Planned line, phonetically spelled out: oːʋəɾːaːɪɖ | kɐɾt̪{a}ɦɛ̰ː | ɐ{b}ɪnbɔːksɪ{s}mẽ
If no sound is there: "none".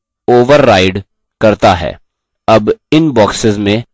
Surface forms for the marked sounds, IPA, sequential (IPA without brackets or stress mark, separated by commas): a, b, z